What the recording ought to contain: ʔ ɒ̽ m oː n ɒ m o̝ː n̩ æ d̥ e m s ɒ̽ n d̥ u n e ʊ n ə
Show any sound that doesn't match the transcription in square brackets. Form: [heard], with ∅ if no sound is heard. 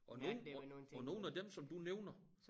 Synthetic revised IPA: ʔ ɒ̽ [n] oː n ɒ [n] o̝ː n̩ æ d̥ e m s ɒ̽ [m] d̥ u n e ʊ n [ɐ]